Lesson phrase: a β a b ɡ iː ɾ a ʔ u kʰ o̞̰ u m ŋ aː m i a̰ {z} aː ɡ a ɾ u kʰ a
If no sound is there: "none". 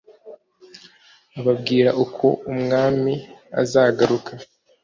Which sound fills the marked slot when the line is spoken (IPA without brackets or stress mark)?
z